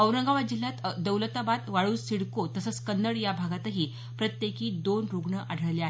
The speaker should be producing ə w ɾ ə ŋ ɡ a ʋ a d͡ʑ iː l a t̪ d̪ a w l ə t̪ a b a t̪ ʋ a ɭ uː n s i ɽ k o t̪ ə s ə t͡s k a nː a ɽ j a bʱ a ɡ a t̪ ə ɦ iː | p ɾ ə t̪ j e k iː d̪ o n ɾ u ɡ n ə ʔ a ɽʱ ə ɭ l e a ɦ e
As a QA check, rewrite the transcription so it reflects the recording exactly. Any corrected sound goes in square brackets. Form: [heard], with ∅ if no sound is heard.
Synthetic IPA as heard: ə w ɾ ə ŋ ɡ a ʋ a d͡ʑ [i] l a t̪ d̪ [ə] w l ə t̪ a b a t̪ ʋ a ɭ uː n s i ɽ k o t̪ ə s ə t͡s k [ə] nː [ə] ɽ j a bʱ a ɡ a t̪ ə ɦ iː | p ɾ ə t̪ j e k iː d̪ o n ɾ u ɡ [ɳ] ə ʔ a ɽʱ ə ɭ l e a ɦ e